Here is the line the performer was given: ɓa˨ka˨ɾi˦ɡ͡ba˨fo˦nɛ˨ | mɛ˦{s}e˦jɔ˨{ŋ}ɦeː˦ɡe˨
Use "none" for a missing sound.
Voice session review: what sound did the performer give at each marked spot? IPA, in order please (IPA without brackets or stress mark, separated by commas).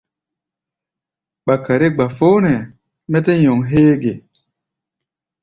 t, ŋ